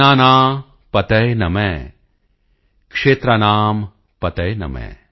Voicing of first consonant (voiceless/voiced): voiced